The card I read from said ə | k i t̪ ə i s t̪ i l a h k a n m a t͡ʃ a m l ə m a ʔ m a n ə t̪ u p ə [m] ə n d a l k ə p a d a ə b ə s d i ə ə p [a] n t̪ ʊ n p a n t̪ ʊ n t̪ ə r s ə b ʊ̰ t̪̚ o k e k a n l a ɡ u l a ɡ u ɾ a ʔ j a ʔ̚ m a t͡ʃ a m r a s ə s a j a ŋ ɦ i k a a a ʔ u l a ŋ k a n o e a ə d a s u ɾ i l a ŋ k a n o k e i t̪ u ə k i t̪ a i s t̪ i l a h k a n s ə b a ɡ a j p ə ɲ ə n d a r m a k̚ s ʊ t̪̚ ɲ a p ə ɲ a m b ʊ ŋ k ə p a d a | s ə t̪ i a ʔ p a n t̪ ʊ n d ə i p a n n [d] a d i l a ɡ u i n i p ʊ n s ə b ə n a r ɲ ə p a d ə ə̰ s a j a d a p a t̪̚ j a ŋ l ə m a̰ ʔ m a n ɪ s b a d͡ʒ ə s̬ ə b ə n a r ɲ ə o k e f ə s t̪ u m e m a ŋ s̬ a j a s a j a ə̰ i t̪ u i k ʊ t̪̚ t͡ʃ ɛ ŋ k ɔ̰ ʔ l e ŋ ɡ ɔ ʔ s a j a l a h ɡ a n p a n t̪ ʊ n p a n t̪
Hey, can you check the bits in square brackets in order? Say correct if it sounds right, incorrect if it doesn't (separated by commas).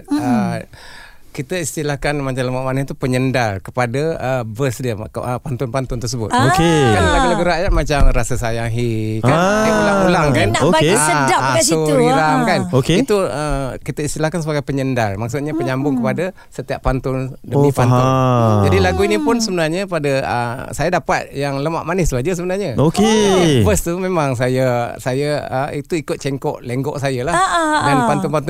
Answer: incorrect, correct, incorrect